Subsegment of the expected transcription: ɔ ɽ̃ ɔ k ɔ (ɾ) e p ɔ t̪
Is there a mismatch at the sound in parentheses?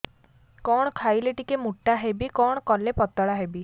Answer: yes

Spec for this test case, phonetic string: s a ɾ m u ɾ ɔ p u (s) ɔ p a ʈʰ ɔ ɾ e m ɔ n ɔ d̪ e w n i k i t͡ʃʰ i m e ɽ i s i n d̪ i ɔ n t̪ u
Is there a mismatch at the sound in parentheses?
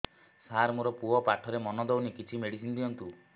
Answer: yes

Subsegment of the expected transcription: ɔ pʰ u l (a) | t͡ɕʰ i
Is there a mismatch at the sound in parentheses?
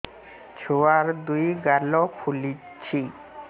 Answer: yes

